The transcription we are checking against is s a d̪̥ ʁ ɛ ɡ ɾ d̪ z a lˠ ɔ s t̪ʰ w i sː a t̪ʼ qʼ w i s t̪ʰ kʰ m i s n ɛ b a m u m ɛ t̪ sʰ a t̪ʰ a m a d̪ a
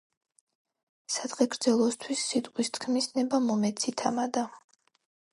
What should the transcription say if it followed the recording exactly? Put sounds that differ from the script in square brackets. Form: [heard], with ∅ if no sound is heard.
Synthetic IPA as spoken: s a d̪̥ ʁ ɛ ɡ ɾ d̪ z [ɛ] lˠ ɔ s t̪ʰ w i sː [i] t̪ʼ qʼ w i s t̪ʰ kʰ m i s n ɛ b a m [ɔ] m ɛ t̪ sʰ [i] t̪ʰ a m a d̪ a